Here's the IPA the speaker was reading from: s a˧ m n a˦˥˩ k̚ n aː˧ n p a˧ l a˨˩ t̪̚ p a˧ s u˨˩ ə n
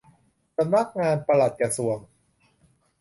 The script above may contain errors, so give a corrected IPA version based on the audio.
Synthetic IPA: s a˧ m n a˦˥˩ k̚ ŋ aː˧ n p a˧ l a˨˩ t̪̚ k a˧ s u˨˩ ə ŋ